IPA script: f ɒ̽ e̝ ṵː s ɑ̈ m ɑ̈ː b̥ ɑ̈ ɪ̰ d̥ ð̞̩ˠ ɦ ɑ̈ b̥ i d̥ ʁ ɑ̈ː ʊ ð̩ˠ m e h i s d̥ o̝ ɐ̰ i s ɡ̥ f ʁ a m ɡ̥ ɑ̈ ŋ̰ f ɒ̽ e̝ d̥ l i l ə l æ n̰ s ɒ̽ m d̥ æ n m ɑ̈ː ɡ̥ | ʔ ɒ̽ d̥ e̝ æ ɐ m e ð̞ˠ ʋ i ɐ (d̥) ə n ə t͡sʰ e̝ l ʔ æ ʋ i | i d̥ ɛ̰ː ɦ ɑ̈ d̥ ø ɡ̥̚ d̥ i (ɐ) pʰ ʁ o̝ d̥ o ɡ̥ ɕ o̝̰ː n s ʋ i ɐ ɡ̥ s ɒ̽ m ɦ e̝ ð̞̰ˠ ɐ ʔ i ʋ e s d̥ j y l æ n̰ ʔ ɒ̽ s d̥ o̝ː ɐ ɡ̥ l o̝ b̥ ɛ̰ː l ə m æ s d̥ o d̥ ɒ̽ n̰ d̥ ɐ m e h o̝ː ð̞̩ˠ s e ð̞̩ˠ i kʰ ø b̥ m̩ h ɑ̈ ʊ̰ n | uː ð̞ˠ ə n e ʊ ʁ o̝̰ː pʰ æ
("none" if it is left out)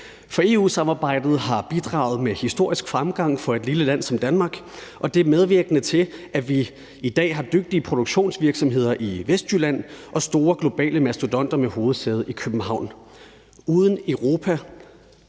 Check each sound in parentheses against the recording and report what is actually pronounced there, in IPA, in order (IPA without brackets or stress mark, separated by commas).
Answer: ɡ̥, ə